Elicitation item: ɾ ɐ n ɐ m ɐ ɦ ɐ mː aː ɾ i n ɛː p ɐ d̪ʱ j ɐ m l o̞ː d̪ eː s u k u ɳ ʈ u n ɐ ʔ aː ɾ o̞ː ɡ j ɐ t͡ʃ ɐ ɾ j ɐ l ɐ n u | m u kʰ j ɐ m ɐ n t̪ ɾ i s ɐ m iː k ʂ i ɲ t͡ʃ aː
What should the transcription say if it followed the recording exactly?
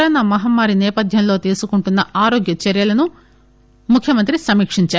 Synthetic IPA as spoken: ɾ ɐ n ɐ m ɐ ɦ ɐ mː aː ɾ i n ɛː p ɐ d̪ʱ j ɐ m l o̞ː t̪ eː s u k u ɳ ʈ u nː ɐ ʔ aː ɾ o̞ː ɡ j ɐ t͡ʃ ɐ ɾ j ɐ l ɐ n u | m u kʰ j ɐ m ɐ n t̪ ɾ i s ɐ m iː k ʂ i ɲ t͡ʃ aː

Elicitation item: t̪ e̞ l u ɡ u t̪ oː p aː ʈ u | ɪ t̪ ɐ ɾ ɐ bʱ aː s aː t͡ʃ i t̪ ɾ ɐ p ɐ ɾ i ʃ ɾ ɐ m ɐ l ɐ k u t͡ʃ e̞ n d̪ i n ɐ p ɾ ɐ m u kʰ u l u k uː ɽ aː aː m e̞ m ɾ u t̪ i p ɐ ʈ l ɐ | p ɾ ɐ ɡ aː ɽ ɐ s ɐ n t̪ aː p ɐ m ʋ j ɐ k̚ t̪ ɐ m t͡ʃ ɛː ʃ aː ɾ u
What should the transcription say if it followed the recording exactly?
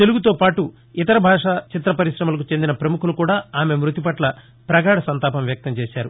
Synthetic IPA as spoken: t̪ e̞ l u ɡ u t̪ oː p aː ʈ u | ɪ t̪ ɐ ɾ ɐ bʱ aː ʂ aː t͡ʃ i t̪ ɾ ɐ p ɐ ɾ i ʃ ɾ ɐ m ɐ l ɐ k u t͡ʃ e̞ n d̪ i n ɐ p ɾ ɐ m u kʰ u l u k uː ɽ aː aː m e̞ m ɾ u t̪ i p ɐ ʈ l ɐ | p ɾ ɐ ɡ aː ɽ ɐ s ɐ n t̪ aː p ɐ m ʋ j ɐ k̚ t̪ ɐ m t͡ʃ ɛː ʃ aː ɾ u

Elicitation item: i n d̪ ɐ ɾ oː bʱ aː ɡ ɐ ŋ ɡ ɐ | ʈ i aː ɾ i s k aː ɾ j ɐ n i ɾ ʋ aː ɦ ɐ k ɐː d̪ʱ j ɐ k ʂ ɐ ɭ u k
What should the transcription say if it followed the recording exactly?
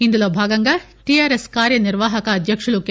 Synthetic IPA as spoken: i n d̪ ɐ l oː bʱ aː ɡ ɐ ŋ ɡ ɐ | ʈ i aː ɾ e s k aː ɾ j ɐ n i ɾ ʋ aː ɦ ɐ k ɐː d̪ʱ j ɐ k ʂ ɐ ɭ u k

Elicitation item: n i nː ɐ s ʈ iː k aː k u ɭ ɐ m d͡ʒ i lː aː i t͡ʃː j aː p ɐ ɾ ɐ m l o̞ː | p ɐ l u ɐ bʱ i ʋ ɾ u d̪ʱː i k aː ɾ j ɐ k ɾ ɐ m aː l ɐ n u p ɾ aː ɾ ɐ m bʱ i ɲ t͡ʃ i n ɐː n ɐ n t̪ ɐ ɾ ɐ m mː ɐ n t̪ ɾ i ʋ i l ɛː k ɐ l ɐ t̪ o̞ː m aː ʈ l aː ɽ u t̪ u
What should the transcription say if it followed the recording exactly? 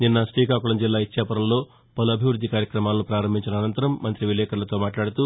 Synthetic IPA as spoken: n i nː ɐ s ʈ iː k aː k u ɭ ɐ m d͡ʒ i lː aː i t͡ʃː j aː p ɐ ɾ ɐ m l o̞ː | p ɐ l u ɐ bʱ i ʋ ɾ u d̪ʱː i k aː ɾ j ɐ k ɾ ɐ m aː l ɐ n u p ɾ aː ɾ ɐ m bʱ i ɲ t͡ʃ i n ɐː n ɐ n t̪ ɐ ɾ ɐ m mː ɐ n t̪ ɾ i ʋ i l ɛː k ɐ l ɐ t̪ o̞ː m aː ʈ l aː ɽ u t̪ u

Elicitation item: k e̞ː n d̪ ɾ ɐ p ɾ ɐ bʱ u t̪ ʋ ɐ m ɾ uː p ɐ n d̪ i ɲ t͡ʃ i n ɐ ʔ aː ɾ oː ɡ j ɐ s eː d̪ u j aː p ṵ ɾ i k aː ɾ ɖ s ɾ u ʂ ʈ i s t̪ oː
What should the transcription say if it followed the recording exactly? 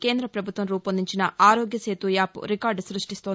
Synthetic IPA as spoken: k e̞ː n d̪ ɾ ɐ p ɾ ɐ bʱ u t̪ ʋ ɐ m ɾ uː p ɐ n d̪ i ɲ t͡ʃ i n ɐ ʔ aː ɾ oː ɡ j ɐ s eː t̪ u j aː p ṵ ɾ i k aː ɾ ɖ s ɾ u ʂ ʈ i s t̪ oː

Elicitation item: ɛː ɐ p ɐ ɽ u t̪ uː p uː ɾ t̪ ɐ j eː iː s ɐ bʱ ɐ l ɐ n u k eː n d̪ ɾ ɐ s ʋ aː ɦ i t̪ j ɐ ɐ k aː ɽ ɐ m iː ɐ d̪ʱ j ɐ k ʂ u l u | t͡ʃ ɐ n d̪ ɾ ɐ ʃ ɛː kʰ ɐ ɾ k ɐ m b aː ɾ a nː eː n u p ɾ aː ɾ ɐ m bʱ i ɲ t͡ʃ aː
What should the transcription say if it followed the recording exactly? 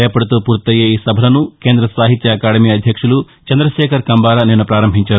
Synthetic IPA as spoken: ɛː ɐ p ɐ ɽ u t̪ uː p uː ɾ t̪ ɐ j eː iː s ɐ bʱ ɐ l ɐ n u k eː n d̪ ɾ ɐ s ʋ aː ɦ i t̪ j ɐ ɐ k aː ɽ ɐ m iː ɐ d̪ʱ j ɐ k ʂ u l u | t͡ʃ ɐ n d̪ ɾ ɐ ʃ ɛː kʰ ɐ ɾ k ɐ m b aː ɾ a n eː n u p ɾ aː ɾ ɐ m bʱ i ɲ t͡ʃ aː

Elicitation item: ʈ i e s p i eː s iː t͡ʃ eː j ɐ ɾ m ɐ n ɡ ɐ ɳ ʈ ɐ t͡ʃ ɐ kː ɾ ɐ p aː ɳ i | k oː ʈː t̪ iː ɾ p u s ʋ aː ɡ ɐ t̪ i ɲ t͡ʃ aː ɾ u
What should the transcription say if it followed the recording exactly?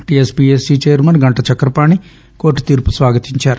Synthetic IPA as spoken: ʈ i e s p i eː s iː t͡ʃ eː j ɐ ɾ m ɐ n ɡ ɐ ɳ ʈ ɐ t͡ʃ ɐ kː ɾ ɐ p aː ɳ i | k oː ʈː t̪ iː ɾ p u s ʋ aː ɡ ɐ t̪ i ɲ t͡ʃ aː ɾ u

